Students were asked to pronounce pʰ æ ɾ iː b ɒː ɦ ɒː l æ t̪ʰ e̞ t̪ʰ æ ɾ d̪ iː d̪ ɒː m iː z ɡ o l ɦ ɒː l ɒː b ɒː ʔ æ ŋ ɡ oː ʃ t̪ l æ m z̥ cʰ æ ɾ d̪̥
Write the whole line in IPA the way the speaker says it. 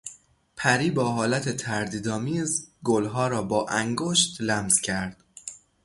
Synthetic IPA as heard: pʰ æ ɾ iː b ɒː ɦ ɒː l æ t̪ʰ e̞ t̪ʰ æ ɾ d̪ iː d̪ ɒː m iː z ɡ o l ɦ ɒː ɾ ɒː b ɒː ʔ æ ŋ ɡ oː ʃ t̪ l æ m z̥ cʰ æ ɾ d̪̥